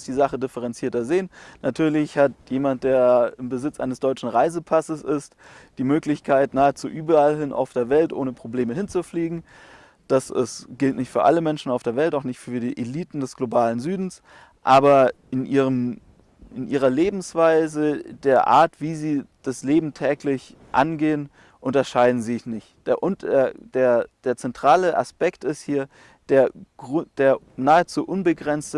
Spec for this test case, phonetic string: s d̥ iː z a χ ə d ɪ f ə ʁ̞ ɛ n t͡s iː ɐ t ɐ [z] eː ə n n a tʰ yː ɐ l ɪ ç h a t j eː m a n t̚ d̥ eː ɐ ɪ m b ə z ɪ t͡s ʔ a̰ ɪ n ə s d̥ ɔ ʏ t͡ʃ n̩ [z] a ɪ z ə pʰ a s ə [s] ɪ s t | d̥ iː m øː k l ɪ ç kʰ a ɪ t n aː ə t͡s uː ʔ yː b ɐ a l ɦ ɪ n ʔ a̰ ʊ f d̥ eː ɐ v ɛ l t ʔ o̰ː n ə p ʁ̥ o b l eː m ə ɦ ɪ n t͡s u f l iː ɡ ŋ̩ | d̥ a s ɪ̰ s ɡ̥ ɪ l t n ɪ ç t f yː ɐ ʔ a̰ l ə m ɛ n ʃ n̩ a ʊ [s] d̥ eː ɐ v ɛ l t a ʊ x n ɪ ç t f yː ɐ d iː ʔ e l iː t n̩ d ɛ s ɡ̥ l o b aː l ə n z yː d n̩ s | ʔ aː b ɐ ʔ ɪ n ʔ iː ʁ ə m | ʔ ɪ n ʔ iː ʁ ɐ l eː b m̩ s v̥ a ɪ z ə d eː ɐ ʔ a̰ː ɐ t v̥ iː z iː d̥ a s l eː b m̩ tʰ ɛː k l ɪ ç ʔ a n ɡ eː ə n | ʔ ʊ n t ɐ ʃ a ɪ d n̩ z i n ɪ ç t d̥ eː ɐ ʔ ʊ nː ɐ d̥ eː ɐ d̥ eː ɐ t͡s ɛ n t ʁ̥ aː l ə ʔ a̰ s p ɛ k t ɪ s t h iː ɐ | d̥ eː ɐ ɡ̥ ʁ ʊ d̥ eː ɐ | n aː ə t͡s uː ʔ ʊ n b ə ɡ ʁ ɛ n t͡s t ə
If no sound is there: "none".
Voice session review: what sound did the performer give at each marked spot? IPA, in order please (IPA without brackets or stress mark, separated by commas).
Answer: z, ʁ, s, f